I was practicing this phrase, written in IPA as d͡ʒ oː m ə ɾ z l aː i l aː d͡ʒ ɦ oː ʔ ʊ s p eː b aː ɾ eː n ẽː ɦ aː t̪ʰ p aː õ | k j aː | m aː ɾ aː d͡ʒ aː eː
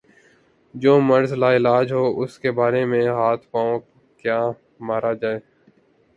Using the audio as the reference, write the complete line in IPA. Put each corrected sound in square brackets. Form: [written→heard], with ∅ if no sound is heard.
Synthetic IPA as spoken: d͡ʒ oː m ə ɾ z l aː [i→ɪ] l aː d͡ʒ ɦ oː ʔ ʊ s [p→k] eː b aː ɾ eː [n→m] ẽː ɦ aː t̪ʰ p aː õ | k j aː | m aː ɾ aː d͡ʒ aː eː